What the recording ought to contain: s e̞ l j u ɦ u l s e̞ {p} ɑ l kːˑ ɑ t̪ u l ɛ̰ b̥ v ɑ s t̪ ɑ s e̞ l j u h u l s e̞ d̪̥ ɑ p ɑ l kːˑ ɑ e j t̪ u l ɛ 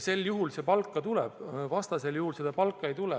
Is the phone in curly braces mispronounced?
no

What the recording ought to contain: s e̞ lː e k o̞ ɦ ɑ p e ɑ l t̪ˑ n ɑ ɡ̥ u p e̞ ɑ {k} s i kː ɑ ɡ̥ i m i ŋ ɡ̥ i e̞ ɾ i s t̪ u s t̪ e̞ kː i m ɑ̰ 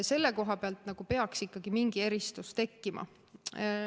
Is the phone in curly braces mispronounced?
no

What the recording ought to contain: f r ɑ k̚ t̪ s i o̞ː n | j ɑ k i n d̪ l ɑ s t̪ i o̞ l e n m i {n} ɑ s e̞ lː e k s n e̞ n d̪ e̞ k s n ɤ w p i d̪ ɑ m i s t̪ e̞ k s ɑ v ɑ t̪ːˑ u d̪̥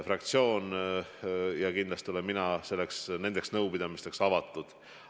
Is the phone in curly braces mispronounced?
no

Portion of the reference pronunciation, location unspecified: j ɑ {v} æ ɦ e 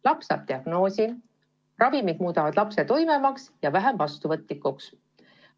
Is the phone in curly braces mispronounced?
no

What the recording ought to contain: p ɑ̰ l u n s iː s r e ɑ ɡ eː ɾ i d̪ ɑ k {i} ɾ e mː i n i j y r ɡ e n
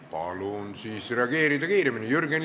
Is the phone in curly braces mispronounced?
yes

